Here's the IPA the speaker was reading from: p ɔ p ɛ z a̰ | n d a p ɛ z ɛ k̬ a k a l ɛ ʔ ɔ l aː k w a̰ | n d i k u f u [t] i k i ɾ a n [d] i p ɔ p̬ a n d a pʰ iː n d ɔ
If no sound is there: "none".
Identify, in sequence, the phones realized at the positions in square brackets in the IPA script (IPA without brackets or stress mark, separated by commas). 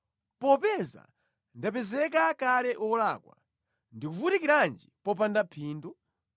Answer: t, d͡ʒ